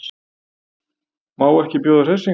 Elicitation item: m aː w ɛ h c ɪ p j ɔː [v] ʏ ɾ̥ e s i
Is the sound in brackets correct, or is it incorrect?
incorrect